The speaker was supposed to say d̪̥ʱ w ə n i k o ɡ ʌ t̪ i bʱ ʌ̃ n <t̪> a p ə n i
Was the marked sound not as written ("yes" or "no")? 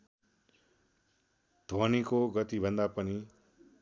yes